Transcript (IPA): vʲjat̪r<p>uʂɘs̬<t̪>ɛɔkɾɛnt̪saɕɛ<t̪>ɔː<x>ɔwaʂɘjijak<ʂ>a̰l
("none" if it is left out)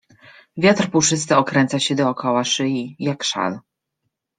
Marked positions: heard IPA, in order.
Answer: p, t̪, d̪, k, ʂ

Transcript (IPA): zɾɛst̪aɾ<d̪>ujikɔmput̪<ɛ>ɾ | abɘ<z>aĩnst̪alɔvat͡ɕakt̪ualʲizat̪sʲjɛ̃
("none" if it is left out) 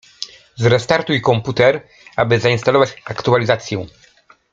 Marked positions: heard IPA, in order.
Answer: t̪, ɛ, z

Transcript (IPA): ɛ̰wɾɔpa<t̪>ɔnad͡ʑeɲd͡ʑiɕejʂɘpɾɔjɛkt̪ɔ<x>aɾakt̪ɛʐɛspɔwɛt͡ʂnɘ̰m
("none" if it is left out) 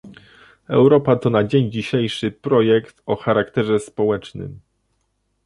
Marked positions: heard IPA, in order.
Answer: t̪, x

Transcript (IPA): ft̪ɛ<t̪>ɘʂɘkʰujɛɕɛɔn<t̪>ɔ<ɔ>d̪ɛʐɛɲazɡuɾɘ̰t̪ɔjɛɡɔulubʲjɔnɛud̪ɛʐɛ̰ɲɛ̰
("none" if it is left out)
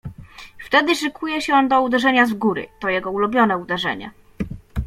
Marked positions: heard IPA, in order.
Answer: d̪, d̪, u

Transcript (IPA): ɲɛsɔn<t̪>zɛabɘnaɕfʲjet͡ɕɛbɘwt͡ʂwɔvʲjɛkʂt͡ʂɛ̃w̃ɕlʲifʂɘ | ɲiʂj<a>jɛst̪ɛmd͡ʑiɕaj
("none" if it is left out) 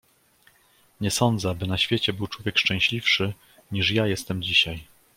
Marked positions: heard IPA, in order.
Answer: d̪, a

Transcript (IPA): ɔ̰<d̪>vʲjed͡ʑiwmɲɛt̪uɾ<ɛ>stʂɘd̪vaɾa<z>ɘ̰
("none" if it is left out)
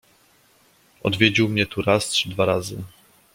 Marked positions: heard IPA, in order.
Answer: d̪, a, z

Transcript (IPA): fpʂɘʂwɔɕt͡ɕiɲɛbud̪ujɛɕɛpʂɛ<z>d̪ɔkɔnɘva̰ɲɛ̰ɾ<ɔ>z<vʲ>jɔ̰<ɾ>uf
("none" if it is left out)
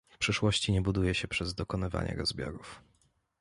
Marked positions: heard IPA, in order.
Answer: z, ɔ, bʲ, ɾ

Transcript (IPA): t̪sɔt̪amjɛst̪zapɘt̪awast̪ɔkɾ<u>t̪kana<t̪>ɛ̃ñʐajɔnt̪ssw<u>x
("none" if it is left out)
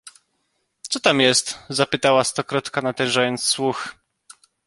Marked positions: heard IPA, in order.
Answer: ɔ, t̪, u

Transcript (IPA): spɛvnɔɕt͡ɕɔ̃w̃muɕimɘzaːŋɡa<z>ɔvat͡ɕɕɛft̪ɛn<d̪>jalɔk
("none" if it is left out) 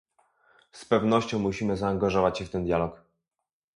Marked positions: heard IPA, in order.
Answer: ʐ, d̪

